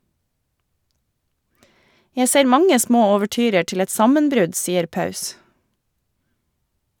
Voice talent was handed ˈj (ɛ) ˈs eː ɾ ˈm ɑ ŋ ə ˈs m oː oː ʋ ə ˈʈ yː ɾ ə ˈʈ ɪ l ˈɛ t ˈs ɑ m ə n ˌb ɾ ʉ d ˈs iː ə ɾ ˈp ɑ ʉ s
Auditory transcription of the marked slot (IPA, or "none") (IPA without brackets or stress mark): æ